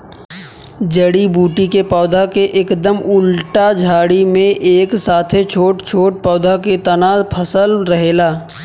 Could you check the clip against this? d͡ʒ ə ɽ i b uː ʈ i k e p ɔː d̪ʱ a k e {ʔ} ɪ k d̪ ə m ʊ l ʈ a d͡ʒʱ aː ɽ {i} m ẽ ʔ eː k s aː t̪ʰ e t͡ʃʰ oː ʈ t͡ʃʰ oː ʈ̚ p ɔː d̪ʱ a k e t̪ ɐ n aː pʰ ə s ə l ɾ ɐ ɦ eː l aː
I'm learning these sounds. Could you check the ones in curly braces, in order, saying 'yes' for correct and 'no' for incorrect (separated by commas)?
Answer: yes, yes